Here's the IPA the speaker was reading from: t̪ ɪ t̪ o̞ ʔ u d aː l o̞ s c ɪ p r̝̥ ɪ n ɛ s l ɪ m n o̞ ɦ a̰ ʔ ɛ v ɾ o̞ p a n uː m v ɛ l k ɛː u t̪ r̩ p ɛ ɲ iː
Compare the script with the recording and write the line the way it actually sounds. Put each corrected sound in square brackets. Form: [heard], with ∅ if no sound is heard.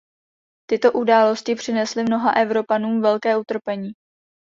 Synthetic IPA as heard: t̪ ɪ t̪ o̞ ʔ u d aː l o̞ s c ɪ p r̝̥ ɪ n ɛ s l ɪ m n o̞ ɦ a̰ ʔ ɛ v ɾ o̞ p a n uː m v ɛ l k ɛː u t̪ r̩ p ɛ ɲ iː